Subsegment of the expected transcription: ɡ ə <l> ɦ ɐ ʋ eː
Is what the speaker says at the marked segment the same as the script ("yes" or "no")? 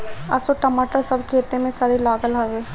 yes